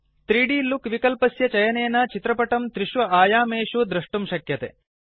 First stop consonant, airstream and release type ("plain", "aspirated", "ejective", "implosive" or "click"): plain